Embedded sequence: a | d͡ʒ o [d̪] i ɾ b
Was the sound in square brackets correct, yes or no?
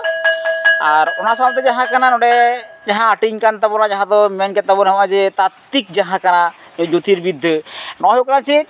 no